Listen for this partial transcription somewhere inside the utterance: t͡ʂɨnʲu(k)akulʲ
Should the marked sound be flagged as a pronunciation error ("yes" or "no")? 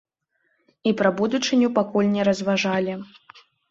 yes